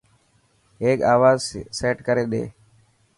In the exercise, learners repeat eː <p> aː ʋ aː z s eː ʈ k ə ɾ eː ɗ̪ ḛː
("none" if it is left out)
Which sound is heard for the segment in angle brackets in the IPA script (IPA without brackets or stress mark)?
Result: k